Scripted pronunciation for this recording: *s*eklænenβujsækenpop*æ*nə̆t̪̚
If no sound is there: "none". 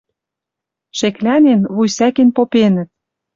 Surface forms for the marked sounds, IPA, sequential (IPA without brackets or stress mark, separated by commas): ʃ, e